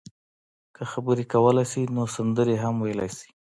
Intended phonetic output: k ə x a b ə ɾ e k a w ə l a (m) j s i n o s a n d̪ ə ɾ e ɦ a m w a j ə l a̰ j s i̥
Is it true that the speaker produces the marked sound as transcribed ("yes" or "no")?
no